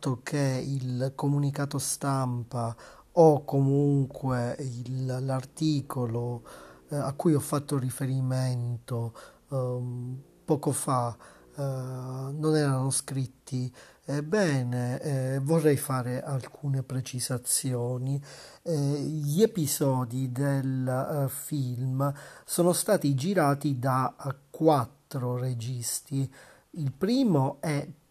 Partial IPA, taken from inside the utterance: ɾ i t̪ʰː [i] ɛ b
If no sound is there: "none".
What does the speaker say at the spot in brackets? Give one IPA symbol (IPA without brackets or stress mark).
i